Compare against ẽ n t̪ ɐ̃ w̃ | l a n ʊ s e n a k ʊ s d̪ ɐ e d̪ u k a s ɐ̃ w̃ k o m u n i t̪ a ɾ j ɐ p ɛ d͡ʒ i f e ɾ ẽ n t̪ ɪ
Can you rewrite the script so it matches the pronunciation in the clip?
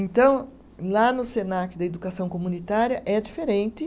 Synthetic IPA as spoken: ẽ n t̪ ɐ̃ w̃ | l a n ʊ s e n a k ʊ d̪ ɐ e d̪ u k a s ɐ̃ w̃ k o m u n i t̪ a ɾ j ɐ ʔ ɛ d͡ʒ i f e ɾ ẽ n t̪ ɪ